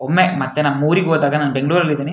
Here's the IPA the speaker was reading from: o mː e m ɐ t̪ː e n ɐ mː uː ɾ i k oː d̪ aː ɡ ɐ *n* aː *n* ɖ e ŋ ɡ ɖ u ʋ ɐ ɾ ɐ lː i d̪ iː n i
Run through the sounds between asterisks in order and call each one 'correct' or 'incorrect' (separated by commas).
correct, correct